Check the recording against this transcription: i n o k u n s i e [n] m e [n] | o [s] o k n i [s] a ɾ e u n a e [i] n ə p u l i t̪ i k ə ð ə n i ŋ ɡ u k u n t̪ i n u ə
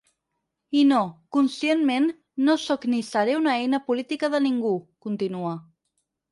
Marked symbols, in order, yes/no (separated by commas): yes, no, yes, yes, no